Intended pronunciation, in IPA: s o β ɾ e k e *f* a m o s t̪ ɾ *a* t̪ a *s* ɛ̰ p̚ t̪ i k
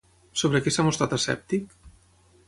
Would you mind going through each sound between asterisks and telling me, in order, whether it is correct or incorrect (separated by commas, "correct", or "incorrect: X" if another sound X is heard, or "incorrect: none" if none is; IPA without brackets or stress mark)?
incorrect: s, correct, correct